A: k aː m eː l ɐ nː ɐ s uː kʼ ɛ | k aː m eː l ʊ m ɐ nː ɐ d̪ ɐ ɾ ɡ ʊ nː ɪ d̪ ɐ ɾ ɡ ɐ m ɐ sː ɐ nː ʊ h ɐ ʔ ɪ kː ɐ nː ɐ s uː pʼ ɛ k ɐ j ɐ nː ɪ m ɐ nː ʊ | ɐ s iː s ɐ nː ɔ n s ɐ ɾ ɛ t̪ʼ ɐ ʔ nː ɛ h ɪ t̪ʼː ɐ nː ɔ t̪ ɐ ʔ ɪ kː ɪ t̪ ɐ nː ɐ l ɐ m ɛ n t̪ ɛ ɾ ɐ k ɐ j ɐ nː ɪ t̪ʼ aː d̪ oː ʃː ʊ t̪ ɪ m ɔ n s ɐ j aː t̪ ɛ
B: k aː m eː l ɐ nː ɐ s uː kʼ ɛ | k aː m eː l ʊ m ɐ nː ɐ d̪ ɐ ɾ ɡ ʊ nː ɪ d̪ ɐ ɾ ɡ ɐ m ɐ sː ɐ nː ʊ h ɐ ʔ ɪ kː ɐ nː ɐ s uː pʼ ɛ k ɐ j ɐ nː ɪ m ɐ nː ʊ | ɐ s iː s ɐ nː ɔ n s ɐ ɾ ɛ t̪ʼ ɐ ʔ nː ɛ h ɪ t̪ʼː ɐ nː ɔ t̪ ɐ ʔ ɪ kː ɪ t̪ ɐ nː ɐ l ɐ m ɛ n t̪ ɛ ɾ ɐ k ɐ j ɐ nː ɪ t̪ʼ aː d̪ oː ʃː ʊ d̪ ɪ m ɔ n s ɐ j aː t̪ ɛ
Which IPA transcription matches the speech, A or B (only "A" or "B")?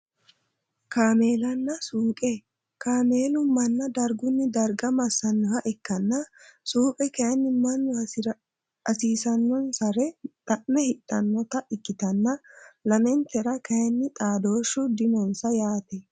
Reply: B